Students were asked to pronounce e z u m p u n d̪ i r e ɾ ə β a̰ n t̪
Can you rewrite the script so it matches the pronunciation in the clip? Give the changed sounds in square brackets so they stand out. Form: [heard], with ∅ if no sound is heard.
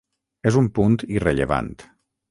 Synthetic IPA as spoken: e z u m p u n [t̪] i r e [ʎ] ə β a̰ n t̪